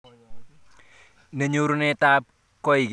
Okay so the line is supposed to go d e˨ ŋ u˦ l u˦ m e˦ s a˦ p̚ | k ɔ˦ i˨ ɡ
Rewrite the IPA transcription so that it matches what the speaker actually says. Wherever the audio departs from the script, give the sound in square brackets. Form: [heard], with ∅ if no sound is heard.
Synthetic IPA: [n] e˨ [ɲ] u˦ [ɾ] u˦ [n] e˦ [t] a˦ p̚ | k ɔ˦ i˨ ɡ